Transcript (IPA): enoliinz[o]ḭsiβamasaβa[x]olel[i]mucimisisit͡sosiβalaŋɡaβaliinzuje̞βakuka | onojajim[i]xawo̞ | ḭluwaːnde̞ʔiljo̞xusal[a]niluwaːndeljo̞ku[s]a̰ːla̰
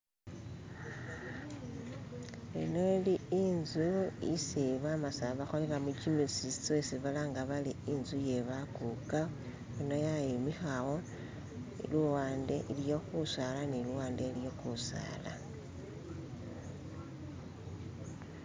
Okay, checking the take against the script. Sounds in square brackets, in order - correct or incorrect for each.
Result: incorrect, correct, incorrect, correct, correct, correct

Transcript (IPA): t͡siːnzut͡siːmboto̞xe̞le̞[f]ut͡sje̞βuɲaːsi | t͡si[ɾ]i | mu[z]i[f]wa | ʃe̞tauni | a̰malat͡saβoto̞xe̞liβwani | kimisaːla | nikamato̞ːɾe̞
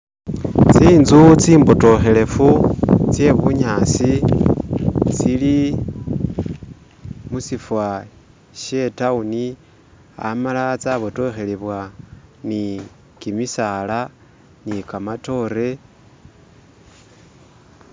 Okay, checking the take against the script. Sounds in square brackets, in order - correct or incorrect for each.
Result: correct, incorrect, incorrect, correct

